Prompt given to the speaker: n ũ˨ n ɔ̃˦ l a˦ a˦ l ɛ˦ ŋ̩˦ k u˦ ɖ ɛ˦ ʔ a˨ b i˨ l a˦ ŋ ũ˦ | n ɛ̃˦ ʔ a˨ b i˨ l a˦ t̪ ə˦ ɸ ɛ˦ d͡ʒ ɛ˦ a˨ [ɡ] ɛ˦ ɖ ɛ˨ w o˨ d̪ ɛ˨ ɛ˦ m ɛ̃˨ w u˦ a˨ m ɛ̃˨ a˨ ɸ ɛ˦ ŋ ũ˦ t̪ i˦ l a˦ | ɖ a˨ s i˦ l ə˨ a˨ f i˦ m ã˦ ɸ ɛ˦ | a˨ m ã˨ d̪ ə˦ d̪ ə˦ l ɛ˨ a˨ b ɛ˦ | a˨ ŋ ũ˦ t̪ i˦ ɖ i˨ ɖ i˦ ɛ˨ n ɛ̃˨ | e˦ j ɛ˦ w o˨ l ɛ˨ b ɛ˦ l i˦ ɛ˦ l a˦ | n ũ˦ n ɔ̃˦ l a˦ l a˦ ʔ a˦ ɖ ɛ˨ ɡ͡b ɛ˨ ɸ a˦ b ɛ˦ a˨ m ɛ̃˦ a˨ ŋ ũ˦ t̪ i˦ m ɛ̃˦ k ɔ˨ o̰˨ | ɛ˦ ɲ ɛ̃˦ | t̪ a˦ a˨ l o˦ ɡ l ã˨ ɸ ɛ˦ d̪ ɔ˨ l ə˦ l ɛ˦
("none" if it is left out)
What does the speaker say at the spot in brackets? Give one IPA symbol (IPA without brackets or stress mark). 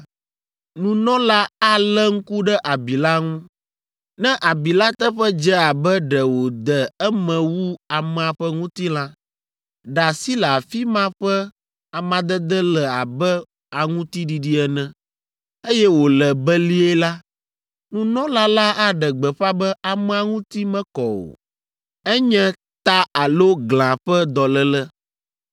b